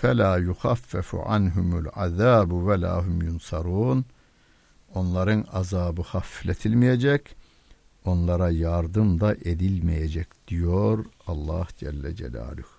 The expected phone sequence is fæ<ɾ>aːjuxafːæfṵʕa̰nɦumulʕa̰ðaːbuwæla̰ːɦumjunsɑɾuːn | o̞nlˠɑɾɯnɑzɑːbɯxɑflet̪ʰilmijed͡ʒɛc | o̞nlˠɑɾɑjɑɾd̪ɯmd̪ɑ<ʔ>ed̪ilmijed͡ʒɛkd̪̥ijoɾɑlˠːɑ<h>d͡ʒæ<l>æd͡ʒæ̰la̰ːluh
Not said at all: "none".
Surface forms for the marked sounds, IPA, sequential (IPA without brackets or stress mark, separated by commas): l, ʔ, h, lː